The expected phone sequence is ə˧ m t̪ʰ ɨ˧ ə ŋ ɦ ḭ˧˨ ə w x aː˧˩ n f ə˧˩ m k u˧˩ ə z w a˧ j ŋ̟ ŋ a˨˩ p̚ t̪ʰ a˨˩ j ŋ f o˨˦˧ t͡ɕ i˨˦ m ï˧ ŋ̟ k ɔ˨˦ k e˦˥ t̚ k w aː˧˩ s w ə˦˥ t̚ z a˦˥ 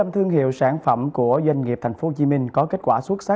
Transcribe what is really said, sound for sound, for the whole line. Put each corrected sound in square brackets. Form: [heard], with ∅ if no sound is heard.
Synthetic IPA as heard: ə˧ m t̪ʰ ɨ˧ ə ŋ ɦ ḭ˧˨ ə w [s] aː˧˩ n f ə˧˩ m k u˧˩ ə z w a˧ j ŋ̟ ŋ [i˨˩] p̚ t̪ʰ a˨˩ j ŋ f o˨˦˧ t͡ɕ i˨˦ m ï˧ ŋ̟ k ɔ˨˦ k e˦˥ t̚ k w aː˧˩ s w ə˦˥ t̚ [s] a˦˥